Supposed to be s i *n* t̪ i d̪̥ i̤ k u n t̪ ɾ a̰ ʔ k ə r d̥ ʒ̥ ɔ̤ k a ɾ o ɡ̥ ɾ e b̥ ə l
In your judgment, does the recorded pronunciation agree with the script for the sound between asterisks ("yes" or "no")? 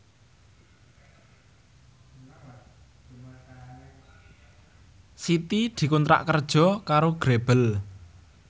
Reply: no